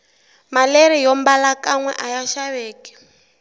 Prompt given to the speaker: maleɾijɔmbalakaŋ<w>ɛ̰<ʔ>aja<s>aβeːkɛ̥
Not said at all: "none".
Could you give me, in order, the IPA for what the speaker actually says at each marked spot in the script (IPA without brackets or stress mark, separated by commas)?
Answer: w, ʔ, ʃ